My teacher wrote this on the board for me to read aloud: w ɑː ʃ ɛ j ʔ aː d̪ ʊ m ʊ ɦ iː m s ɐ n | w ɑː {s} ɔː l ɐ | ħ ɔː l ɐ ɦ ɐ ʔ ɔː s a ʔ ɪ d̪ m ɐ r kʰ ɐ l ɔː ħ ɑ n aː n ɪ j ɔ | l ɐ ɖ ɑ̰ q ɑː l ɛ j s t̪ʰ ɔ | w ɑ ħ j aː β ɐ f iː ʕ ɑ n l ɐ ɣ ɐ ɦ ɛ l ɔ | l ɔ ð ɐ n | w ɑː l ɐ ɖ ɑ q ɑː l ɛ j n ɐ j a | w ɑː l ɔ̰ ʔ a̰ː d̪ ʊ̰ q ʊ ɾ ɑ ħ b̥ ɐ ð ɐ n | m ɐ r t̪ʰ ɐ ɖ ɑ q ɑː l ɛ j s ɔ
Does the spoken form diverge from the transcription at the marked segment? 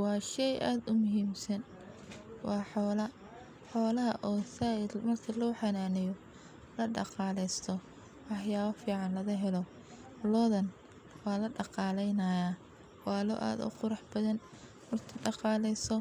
yes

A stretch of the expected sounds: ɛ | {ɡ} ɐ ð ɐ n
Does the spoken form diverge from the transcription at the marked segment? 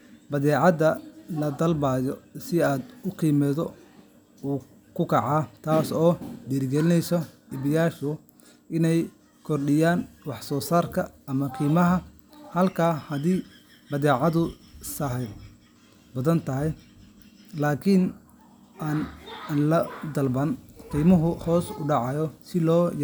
yes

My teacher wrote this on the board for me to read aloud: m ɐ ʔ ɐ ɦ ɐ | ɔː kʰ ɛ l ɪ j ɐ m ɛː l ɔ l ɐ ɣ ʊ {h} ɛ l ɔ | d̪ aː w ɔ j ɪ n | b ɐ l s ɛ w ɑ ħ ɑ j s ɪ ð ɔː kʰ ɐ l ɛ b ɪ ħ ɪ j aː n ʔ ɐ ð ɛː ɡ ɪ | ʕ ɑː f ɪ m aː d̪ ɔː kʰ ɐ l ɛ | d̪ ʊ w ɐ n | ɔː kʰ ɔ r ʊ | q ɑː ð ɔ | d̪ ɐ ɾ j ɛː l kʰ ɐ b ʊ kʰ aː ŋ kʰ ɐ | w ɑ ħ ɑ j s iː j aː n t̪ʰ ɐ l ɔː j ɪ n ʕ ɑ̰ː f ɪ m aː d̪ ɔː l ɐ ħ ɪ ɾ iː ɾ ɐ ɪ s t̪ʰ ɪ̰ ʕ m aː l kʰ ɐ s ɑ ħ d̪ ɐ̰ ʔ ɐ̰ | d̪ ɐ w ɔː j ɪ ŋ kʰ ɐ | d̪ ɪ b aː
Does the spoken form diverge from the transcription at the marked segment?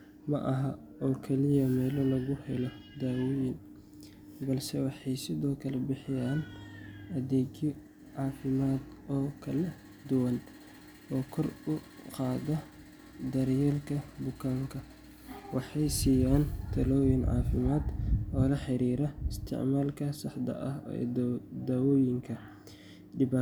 no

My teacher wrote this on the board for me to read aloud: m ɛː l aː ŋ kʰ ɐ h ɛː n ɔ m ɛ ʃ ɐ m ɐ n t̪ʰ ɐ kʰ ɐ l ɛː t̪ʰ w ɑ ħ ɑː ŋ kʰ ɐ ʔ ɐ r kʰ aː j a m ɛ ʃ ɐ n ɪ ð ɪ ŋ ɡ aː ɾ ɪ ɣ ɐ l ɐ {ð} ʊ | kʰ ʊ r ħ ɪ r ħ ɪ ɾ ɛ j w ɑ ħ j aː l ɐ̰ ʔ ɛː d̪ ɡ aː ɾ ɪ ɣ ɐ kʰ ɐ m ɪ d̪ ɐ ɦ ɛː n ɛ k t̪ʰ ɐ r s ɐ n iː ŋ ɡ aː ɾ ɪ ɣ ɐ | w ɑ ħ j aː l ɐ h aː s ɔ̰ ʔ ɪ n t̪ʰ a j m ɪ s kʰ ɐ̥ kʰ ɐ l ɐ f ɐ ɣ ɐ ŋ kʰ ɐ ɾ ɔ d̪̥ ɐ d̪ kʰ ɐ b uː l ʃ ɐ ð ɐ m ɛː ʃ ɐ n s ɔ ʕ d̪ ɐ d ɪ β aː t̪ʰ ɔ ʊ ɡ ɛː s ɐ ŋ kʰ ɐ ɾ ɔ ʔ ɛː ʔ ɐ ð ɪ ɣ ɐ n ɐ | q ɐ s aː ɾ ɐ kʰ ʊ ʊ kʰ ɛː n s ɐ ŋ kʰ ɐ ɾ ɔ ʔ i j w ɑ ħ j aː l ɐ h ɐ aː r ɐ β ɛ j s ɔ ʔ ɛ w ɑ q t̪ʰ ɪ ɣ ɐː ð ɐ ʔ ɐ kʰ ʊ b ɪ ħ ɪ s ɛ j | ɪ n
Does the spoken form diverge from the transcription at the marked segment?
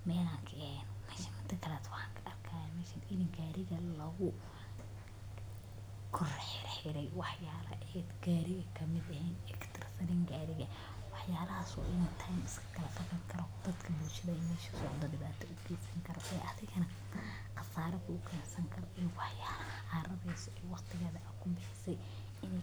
yes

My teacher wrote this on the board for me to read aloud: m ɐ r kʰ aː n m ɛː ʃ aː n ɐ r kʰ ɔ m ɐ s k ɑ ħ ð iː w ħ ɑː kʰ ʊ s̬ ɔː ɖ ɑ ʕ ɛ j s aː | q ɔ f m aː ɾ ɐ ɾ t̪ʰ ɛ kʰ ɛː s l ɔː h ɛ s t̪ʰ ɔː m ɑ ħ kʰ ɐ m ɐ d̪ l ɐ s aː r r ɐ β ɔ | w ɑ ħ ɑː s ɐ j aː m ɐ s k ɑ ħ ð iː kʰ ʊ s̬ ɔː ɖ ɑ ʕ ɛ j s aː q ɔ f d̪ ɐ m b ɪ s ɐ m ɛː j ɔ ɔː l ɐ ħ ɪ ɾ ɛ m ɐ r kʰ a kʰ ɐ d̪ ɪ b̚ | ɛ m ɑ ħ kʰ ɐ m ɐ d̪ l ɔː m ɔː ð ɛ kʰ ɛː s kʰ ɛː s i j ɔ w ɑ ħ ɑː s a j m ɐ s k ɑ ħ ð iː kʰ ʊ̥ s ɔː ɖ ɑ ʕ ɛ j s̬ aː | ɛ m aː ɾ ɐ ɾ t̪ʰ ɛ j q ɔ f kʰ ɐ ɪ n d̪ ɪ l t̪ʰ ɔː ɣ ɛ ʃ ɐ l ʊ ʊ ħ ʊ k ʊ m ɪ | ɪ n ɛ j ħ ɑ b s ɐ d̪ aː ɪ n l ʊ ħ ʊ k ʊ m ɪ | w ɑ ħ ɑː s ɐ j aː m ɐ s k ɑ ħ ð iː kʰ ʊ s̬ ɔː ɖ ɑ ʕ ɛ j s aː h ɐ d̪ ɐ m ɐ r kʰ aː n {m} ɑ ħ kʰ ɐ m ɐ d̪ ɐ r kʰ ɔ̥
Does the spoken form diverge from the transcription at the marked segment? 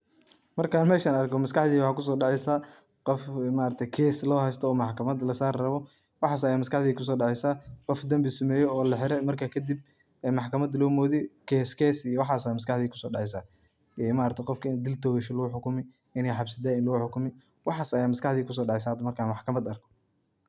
no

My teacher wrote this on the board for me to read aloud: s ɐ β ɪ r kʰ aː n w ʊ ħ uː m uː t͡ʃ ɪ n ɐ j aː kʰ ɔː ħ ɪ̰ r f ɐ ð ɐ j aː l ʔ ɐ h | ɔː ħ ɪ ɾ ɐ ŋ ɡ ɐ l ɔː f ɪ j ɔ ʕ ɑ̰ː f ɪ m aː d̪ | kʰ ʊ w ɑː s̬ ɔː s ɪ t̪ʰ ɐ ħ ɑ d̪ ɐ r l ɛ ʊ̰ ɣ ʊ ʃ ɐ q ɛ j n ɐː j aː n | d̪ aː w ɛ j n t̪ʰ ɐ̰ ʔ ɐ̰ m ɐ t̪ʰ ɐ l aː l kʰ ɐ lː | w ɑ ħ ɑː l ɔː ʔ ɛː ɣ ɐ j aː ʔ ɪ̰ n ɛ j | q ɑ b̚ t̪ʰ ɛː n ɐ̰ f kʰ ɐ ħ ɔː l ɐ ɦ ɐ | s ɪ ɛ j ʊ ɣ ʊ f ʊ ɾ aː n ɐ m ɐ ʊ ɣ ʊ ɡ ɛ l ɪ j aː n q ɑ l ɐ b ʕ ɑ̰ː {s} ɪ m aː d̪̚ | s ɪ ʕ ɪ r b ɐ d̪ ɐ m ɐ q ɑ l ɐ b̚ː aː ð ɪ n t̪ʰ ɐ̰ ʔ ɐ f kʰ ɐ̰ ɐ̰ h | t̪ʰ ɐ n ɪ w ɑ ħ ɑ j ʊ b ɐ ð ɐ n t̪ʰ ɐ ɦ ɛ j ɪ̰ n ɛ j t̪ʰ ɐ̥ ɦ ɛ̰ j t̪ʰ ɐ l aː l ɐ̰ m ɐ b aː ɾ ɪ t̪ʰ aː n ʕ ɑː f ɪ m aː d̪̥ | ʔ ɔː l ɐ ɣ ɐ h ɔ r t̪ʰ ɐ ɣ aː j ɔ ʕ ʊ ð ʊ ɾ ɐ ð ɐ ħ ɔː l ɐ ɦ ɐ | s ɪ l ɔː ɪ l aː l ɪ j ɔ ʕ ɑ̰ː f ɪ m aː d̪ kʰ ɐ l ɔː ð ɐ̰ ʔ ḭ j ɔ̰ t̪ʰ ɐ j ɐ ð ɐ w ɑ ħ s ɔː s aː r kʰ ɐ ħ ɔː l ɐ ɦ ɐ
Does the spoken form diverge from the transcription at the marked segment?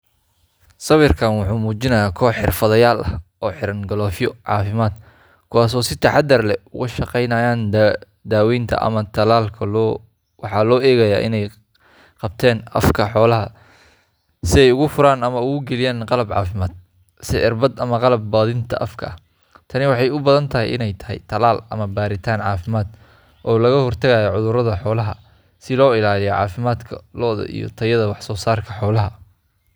yes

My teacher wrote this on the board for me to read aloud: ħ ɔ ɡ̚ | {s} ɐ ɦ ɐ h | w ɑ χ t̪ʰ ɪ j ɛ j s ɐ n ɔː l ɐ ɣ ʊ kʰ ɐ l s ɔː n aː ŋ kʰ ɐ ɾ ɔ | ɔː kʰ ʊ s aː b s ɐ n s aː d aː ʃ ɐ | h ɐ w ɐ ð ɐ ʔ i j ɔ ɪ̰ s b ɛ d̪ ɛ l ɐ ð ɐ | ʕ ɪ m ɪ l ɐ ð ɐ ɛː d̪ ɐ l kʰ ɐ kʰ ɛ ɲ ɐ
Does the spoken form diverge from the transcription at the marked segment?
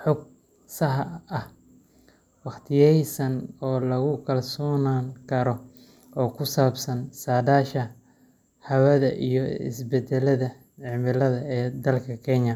no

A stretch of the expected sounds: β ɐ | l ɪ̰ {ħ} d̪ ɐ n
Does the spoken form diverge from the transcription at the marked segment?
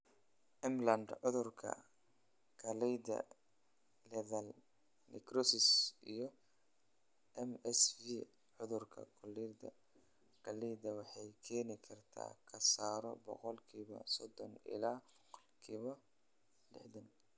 no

